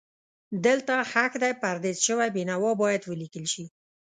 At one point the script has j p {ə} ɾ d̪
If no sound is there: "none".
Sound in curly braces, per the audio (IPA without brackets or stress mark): a